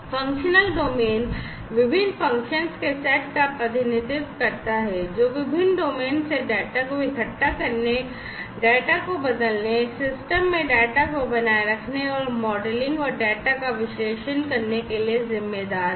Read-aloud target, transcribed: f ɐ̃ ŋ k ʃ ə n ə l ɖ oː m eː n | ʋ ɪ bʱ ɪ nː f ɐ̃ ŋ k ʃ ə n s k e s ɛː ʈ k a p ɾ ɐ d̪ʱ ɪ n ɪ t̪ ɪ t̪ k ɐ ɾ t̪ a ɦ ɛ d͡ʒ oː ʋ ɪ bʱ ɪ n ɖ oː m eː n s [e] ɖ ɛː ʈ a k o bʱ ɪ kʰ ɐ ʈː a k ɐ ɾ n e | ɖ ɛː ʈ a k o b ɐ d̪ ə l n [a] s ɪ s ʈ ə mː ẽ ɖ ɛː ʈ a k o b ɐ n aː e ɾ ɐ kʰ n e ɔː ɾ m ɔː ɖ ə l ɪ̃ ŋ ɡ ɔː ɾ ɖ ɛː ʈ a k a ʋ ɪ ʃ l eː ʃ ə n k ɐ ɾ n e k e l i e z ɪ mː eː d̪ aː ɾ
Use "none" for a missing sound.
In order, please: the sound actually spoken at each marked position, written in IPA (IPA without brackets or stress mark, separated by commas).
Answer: e, e